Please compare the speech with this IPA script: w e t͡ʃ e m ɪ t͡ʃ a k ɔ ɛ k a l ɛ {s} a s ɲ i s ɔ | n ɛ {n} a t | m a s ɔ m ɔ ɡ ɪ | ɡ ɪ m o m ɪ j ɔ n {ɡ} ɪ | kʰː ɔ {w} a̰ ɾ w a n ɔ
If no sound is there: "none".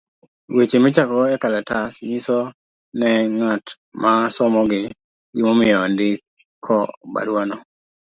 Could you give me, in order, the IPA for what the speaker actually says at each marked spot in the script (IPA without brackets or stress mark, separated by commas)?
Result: t, ŋ, d, b